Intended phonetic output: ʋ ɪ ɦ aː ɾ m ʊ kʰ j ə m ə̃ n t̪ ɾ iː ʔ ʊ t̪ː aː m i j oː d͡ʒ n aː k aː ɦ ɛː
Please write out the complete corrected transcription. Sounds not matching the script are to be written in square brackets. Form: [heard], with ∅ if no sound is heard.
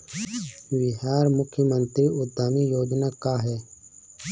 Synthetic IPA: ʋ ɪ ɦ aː ɾ m ʊ kʰ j ə m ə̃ n t̪ ɾ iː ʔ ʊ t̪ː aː m i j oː d͡ʒ n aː k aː ɦ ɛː